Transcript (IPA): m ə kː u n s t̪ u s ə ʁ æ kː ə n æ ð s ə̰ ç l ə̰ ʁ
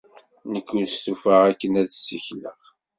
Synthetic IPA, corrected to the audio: n ə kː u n s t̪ u f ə ʁ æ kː ə n æ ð s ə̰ ç l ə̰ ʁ